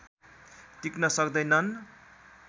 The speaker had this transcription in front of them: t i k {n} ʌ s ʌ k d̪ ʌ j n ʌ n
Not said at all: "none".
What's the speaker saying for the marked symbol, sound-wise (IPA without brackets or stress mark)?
n